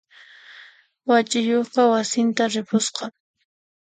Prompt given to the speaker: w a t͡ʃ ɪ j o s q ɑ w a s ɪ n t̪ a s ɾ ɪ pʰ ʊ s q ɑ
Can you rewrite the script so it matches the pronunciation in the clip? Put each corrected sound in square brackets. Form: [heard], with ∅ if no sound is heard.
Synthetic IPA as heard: w a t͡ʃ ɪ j o [χ] q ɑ w a s ɪ n t̪ a [∅] ɾ ɪ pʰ ʊ s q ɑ